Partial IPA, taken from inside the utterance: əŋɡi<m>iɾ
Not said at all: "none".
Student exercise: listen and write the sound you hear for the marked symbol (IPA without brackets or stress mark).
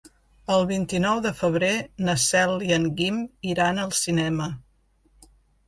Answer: m